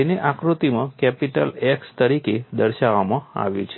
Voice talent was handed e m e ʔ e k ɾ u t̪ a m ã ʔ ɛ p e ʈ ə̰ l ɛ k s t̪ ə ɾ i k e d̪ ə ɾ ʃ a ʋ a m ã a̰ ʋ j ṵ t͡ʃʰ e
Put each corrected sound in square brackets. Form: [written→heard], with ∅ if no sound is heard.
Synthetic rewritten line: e [m→n] e ʔ [e→a] k ɾ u t̪ [a→i] m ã [ʔ→k] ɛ p [e→i] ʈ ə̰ l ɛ k s t̪ ə ɾ i k e d̪ ə ɾ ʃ a ʋ a m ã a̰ ʋ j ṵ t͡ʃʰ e

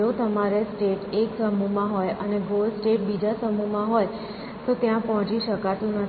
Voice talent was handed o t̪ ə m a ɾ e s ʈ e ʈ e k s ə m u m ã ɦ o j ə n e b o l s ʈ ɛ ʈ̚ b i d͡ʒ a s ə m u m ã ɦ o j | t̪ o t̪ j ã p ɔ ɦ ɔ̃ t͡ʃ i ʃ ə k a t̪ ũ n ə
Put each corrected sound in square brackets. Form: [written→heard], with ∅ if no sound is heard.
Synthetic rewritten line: o t̪ ə m a ɾ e s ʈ e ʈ e k s ə m u m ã ɦ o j ə n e [b→ɡ] o l s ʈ [ɛ→e] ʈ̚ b i d͡ʒ a s ə m u m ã ɦ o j | t̪ o t̪ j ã p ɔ ɦ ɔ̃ t͡ʃ i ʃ ə k a t̪ ũ n ə

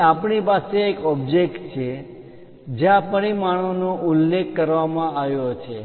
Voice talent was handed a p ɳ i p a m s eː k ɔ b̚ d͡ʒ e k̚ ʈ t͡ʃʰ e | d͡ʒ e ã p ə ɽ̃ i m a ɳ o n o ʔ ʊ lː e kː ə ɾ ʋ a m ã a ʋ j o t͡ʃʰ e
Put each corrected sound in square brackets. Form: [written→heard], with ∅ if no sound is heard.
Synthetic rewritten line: a p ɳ i p a [m→∅] s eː k ɔ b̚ d͡ʒ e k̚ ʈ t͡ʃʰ e | d͡ʒ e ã p ə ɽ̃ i m a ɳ o n o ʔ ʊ lː e kː ə ɾ ʋ a m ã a ʋ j o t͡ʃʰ e

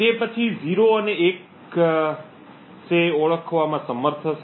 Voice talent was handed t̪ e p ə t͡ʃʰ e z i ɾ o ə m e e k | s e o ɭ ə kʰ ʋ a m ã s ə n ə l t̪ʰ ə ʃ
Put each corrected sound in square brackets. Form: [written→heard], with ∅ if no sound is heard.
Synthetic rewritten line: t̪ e p ə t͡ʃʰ [e→i] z i ɾ o ə [m→n] e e k | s e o ɭ ə kʰ ʋ a m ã s ə [n→m] ə [l→ɾ] t̪ʰ ə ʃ

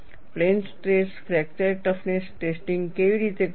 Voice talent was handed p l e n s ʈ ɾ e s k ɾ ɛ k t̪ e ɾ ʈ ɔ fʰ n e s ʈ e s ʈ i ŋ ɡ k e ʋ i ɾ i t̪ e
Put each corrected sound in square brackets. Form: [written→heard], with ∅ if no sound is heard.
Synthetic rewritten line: p l e n s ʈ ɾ e s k ɾ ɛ k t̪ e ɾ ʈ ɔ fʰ n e s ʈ e s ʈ i ŋ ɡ k e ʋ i ɾ i t̪ e

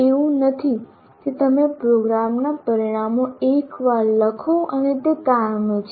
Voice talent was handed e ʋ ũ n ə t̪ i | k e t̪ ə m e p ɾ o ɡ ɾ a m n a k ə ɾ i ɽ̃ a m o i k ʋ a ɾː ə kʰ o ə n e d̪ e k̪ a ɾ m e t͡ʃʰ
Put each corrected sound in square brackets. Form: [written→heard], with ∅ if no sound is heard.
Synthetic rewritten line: e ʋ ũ n ə [t̪→t̪ʰ] i | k e t̪ ə m e p ɾ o ɡ ɾ a m n a [k→p] ə ɾ i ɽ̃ a m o [i→e] k ʋ a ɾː ə kʰ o ə n e [d̪→t̪] e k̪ a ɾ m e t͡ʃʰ

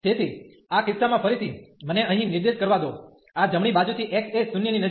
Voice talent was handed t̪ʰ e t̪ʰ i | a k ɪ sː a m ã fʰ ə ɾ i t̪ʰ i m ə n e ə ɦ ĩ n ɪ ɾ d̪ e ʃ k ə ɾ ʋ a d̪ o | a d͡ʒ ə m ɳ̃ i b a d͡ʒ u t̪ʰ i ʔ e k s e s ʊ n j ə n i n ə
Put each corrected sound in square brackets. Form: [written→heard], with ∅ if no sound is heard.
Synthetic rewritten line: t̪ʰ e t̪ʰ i | a k ɪ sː a m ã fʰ ə ɾ i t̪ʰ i m ə n e ə ɦ ĩ n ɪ ɾ d̪ e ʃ k ə ɾ ʋ a d̪ o | a d͡ʒ ə m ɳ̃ i b a d͡ʒ u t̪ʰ i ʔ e k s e s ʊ n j ə n i n ə

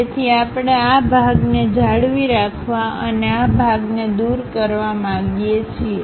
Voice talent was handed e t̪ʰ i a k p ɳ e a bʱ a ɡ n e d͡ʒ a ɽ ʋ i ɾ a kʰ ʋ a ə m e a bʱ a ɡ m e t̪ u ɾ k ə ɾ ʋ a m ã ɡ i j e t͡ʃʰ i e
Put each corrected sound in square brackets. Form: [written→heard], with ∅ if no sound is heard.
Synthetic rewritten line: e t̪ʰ i a [k→∅] p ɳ e a bʱ a ɡ n e d͡ʒ a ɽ ʋ i ɾ a kʰ ʋ a ə [m→n] e a bʱ a ɡ [m→n] e [t̪→d̪] u ɾ k ə ɾ ʋ a m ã ɡ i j e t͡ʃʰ i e

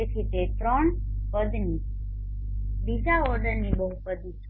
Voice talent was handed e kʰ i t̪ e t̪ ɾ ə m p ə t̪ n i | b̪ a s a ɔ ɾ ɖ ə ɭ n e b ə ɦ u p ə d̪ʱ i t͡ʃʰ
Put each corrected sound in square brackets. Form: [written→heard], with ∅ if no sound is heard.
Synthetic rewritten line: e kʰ i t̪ e t̪ ɾ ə [m→ɳ] p ə [t̪→d̪] n i | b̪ [a→i] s a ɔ ɾ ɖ ə [ɭ→ɾ] n [e→i] b ə ɦ u p ə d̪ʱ i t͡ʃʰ

